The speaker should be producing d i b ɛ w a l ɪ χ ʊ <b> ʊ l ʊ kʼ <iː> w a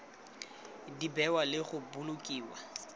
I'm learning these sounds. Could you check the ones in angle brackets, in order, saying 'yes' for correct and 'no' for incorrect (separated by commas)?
yes, yes